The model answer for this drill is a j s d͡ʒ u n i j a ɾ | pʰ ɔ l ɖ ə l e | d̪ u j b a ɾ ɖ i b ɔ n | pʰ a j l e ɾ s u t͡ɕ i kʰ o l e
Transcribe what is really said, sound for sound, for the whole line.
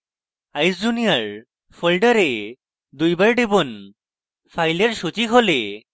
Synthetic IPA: a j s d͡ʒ u n i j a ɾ | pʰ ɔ l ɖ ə ɾ e | d̪ u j b a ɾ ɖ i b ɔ n | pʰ a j l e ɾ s u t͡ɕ i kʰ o l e